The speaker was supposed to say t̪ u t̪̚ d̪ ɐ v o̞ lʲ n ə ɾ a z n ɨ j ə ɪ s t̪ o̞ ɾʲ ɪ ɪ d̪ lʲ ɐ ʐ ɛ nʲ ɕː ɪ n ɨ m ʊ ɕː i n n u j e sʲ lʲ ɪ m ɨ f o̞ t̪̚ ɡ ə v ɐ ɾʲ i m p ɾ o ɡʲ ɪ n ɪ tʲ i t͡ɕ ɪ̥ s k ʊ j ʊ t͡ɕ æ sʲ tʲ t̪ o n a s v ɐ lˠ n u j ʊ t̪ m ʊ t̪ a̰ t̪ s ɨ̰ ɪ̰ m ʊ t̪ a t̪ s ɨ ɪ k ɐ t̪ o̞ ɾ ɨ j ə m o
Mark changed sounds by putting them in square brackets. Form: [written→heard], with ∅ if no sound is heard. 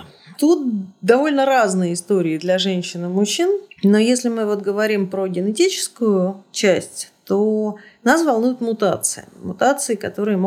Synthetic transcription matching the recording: t̪ u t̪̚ d̪ ɐ v o̞ lʲ n ə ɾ a z n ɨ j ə ɪ s t̪ o̞ ɾʲ ɪ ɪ d̪ lʲ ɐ ʐ ɛ nʲ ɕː ɪ n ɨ m ʊ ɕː i n n [u→o] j e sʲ lʲ ɪ m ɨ [f→v] o̞ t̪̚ ɡ ə v ɐ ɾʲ i m p ɾ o ɡʲ ɪ n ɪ tʲ i t͡ɕ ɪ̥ s k ʊ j ʊ t͡ɕ æ sʲ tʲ t̪ o n a s v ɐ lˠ n u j ʊ t̪ m ʊ t̪ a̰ t̪ s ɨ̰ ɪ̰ m ʊ t̪ a t̪ s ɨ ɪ k ɐ t̪ o̞ ɾ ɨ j ə m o